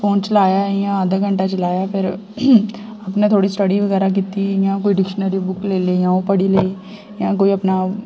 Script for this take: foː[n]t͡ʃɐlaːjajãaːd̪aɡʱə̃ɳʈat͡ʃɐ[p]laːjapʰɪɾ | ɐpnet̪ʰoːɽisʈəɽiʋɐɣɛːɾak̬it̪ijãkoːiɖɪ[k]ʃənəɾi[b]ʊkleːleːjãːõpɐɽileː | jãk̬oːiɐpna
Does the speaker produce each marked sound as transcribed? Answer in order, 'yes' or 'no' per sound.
yes, no, yes, yes

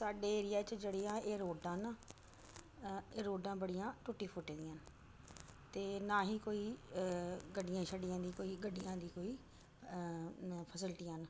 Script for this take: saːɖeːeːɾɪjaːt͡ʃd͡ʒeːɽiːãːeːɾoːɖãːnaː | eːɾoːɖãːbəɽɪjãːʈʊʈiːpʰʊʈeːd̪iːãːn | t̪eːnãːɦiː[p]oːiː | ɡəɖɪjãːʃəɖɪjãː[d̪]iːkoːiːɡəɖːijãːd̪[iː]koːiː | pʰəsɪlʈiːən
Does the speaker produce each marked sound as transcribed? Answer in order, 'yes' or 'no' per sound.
no, yes, yes

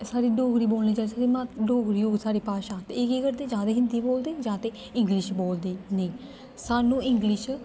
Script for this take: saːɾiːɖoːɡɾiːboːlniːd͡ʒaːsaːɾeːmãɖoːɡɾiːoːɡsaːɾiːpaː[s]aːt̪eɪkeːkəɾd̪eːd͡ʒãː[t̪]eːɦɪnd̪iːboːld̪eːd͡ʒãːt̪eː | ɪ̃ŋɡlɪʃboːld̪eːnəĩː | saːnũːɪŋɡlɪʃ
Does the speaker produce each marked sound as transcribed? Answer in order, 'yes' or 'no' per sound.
no, no

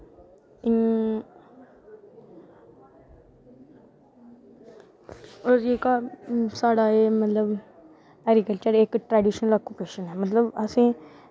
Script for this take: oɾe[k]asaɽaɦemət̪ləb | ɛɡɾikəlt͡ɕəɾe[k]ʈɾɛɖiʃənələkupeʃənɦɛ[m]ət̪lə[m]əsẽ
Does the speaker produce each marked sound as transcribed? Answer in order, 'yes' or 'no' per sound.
yes, yes, yes, no

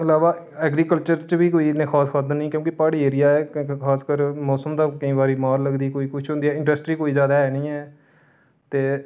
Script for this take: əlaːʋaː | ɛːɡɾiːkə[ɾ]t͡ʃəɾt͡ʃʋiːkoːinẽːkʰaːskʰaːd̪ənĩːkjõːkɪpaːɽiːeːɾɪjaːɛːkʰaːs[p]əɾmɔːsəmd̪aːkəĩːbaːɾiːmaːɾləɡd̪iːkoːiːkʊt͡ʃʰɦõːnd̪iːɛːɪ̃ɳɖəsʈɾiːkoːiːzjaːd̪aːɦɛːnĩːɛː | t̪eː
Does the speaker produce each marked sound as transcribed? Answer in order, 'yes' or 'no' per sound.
no, no

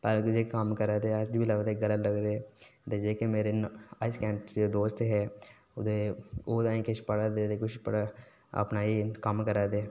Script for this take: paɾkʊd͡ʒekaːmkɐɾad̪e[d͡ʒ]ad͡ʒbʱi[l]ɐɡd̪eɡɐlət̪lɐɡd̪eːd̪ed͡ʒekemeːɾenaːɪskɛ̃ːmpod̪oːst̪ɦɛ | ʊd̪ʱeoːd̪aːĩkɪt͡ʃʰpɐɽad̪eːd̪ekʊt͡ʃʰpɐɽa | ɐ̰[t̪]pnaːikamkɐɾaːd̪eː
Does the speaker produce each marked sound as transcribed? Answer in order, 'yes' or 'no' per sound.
no, yes, no

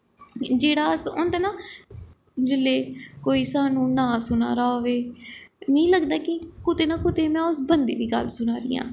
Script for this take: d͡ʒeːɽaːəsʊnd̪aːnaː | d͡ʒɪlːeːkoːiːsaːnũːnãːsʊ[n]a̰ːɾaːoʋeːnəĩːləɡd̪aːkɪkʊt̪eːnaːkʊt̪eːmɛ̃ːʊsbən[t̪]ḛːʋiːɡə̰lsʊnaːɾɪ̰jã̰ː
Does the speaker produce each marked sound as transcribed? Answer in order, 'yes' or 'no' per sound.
yes, no

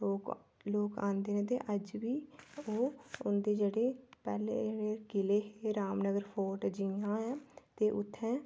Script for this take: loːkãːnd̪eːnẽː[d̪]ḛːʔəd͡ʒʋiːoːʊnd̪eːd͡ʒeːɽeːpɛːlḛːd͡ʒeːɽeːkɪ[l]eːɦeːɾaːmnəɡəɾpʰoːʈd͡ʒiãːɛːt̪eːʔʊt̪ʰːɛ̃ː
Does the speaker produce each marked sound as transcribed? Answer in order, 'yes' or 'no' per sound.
no, yes

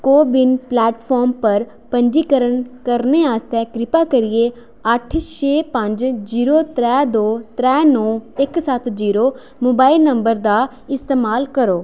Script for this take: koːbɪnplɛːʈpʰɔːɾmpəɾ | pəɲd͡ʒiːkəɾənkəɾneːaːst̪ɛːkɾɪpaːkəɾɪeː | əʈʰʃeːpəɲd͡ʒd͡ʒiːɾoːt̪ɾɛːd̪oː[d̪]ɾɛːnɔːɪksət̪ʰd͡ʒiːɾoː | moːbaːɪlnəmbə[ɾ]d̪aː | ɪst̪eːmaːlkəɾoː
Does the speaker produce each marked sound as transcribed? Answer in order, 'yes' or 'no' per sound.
no, yes

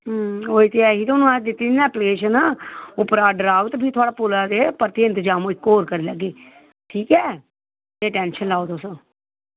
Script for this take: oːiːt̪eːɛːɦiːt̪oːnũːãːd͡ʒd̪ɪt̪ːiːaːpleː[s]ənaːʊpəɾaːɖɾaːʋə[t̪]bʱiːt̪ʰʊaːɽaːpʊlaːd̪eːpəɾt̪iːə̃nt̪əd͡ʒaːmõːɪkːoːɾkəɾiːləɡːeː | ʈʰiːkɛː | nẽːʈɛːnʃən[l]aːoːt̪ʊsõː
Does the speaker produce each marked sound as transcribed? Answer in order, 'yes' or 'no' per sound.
no, yes, yes

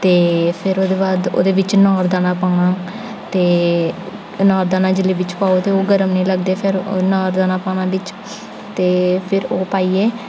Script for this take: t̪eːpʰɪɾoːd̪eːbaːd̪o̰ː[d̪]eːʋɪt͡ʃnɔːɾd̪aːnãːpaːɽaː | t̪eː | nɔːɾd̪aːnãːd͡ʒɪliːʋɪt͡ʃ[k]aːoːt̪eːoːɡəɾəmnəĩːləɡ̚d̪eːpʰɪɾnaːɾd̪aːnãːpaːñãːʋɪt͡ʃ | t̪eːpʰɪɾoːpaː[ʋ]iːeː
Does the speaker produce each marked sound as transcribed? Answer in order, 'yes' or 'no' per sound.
yes, no, no

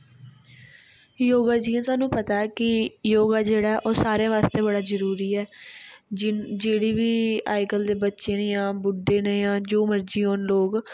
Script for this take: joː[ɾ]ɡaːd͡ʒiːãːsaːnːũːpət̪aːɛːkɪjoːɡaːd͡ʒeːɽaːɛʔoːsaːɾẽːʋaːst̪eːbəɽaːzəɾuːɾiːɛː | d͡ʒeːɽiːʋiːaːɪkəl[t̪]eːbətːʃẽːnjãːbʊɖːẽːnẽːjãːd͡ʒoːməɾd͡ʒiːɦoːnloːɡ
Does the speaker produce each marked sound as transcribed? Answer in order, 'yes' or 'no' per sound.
no, no

